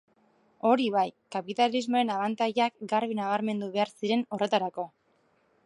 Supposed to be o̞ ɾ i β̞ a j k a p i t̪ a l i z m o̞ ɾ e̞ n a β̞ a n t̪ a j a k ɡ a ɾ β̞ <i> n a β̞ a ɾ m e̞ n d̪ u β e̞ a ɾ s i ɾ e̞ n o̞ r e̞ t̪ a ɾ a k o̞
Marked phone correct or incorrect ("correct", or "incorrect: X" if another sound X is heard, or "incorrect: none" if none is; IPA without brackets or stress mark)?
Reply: correct